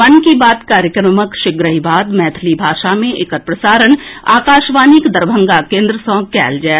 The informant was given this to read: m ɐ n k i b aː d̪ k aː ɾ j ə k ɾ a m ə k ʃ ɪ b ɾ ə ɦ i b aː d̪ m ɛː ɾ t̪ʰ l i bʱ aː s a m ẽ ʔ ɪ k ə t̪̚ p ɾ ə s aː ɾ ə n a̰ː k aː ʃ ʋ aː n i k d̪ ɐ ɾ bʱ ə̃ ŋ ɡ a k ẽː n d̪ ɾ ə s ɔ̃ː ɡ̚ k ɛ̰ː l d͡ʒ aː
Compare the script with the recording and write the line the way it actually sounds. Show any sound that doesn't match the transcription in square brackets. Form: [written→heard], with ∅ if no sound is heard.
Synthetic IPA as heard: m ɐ n k i b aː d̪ k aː ɾ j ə k ɾ [a→ə] m ə k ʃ ɪ [b→ɡ] ɾ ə ɦ i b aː d̪ m ɛː [ɾ→∅] t̪ʰ l i bʱ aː [s→ʃ] a m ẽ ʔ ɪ k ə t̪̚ p ɾ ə s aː ɾ ə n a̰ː k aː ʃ ʋ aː n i k d̪ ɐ ɾ bʱ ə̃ ŋ ɡ a k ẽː n d̪ ɾ ə s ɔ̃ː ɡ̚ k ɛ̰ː l d͡ʒ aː